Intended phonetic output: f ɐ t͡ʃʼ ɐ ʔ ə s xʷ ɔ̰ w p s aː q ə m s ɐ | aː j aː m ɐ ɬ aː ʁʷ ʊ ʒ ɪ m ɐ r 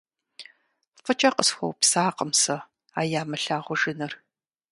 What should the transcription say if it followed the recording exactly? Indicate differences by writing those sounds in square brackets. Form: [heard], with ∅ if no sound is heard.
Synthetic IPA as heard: f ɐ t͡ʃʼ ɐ [q] ə s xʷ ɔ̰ w p s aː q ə m s ɐ | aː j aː m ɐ ɬ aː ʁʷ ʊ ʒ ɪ [n] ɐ r